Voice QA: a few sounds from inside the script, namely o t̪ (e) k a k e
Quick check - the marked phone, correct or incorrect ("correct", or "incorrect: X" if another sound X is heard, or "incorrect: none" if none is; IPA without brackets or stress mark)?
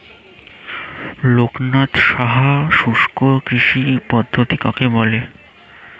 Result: incorrect: i